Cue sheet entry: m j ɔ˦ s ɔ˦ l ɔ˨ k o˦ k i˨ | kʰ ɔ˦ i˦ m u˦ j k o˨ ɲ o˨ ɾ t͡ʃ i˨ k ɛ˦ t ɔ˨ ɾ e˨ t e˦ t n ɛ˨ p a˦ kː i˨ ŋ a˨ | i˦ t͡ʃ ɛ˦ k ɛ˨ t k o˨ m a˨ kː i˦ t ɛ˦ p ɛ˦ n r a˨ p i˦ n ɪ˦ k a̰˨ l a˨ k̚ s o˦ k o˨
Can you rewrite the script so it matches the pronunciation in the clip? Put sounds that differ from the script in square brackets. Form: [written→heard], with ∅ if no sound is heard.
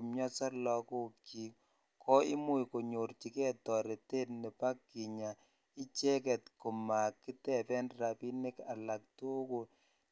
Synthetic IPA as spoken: m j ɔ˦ s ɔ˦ l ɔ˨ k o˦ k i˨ | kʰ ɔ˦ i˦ m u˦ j k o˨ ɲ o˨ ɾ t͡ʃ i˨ k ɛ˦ t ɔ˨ ɾ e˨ t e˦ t n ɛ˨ p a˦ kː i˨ [ŋ→ɲ] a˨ | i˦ t͡ʃ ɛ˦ k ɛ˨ t k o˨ m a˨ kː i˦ t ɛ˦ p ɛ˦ n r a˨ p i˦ n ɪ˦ k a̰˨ l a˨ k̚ [s→t] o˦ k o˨